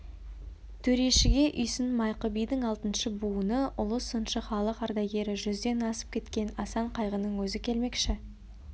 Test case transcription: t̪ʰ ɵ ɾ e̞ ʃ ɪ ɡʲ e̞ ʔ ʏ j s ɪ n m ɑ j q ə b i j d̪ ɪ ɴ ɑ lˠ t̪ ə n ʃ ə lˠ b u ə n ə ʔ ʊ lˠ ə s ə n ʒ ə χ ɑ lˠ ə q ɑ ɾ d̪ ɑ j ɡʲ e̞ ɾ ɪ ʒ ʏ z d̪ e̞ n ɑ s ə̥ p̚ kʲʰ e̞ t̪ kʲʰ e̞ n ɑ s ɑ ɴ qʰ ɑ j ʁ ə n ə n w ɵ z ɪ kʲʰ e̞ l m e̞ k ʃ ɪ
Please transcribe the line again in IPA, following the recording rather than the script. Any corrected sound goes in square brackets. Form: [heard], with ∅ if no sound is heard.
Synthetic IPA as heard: t̪ʰ ɵ ɾ e̞ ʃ ɪ ɡʲ e̞ ʔ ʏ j s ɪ n m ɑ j q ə b i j d̪ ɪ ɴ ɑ lˠ t̪ ə n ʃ ə [∅] b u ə n ə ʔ ʊ lˠ ə s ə n [ʃ] ə χ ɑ lˠ ə q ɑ ɾ d̪ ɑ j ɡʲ e̞ ɾ ɪ ʒ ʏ z d̪ e̞ n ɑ s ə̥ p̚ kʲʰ e̞ t̪ [kʲ] e̞ n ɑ s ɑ ɴ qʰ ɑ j ʁ ə n ə [ɴ] w ɵ z ɪ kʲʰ e̞ l m e̞ k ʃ ɪ

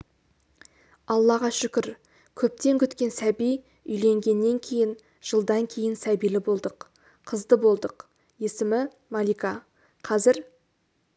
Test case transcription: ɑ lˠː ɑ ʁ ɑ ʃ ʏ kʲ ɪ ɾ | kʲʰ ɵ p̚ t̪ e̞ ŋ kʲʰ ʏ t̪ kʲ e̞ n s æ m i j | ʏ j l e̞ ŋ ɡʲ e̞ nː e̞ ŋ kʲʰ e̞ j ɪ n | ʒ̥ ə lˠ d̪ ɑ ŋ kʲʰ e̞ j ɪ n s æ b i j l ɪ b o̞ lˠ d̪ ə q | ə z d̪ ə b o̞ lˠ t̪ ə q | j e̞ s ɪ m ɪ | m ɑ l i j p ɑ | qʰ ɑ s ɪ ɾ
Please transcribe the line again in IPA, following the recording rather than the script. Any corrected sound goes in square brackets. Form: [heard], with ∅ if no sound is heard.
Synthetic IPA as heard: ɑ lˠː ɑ ʁ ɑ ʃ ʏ kʲ ɪ ɾ | kʲʰ ɵ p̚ t̪ e̞ ŋ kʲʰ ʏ t̪ kʲ e̞ n s æ [b] i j | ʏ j l e̞ ŋ ɡʲ e̞ nː e̞ ŋ kʲʰ e̞ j ɪ n | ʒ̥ ə lˠ d̪ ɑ ŋ kʲʰ e̞ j ɪ n s æ b i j l ɪ b o̞ lˠ d̪ ə [qʰ] | ə z d̪ ə b o̞ lˠ [d̪] ə q | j e̞ s ɪ m ɪ | m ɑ l i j [k] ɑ | qʰ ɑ [z] ɪ ɾ

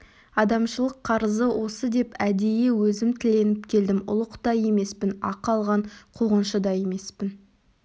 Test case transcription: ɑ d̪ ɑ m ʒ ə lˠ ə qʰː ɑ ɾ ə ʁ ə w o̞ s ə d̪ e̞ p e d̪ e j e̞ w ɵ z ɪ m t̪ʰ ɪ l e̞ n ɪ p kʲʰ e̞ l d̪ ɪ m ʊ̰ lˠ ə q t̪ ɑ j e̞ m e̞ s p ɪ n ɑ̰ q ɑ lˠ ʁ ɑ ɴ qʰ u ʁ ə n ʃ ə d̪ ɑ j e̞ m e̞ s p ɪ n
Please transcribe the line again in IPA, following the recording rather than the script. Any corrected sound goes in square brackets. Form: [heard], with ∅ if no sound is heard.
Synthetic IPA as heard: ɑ d̪ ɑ m [ʃ] ə lˠ ə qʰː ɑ ɾ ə [z] ə w o̞ s ə d̪ e̞ p [æ] d̪ e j e̞ w ɵ z ɪ m t̪ʰ ɪ l e̞ n ɪ p kʲʰ e̞ l d̪ ɪ m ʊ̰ lˠ ə q t̪ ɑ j e̞ m e̞ s p ɪ n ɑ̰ q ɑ lˠ ʁ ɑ ɴ qʰ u ʁ ə n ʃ ə d̪ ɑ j e̞ m e̞ s p ɪ n

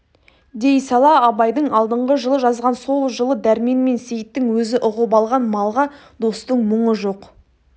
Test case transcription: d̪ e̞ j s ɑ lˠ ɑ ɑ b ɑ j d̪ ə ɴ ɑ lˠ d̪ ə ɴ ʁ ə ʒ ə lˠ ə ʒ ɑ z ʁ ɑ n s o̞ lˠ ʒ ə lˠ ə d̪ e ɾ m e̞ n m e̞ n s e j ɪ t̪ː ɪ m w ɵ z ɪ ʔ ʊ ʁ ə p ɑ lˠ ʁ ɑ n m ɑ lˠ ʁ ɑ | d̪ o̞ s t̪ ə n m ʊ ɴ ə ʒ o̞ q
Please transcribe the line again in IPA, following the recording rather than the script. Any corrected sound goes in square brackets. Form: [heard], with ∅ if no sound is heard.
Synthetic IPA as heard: d̪ e̞ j s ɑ lˠ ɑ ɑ b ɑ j d̪ ə ɴ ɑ lˠ d̪ ə ɴ ʁ ə ʒ ə lˠ ə ʒ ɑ z ʁ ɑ n s o̞ lˠ ʒ ə lˠ ə d̪ [æ] ɾ m e̞ n m e̞ n s e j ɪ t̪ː ɪ [ŋ] w ɵ z ɪ ʔ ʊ ʁ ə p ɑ lˠ ʁ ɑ n m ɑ lˠ ʁ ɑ | d̪ o̞ s t̪ ə [ɴ] m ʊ ɴ ə ʒ o̞ q

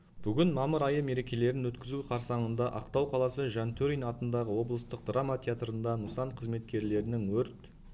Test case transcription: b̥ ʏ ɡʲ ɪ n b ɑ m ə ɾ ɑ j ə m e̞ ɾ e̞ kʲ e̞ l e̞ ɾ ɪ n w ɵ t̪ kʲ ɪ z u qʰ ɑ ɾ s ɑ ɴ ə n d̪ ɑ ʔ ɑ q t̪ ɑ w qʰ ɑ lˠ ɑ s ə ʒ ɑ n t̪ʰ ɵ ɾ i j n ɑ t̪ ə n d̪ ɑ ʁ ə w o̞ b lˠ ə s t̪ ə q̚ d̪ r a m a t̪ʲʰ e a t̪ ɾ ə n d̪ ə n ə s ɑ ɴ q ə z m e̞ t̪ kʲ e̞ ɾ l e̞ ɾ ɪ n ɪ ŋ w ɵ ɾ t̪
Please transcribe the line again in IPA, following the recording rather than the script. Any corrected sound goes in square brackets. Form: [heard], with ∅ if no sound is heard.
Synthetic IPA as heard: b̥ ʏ ɡʲ ɪ n [m] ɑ m ə ɾ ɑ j ə m e̞ ɾ e̞ kʲ e̞ l e̞ ɾ ɪ n w ɵ t̪ kʲ ɪ z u qʰ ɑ ɾ s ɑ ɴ ə n d̪ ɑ ʔ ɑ q t̪ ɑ w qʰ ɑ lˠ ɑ s ə ʒ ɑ n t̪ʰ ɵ ɾ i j n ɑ t̪ ə n d̪ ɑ ʁ ə w o̞ b lˠ ə s t̪ ə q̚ d̪ r a m a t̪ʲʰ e a t̪ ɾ ə n d̪ [ɑ] n ə s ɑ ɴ [qʰ] ə z m e̞ t̪ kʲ e̞ ɾ l e̞ ɾ ɪ n ɪ ŋ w ɵ ɾ t̪

